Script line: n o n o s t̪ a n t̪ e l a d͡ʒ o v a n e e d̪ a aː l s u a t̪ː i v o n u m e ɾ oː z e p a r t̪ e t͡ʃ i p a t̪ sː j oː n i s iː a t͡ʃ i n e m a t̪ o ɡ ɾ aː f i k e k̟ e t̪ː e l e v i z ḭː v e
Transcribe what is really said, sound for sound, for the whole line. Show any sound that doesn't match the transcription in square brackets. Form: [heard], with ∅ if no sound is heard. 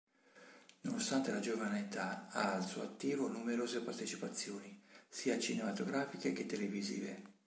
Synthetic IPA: n o n o s t̪ a n t̪ e l a d͡ʒ o v a n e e [t̪] a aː l s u a t̪ː [iː] v o n u m e ɾ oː z e p a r t̪ e t͡ʃ i p a t̪ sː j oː n i s iː a t͡ʃ i n e m a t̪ o ɡ ɾ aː f i k e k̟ e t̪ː e l e v i z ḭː v e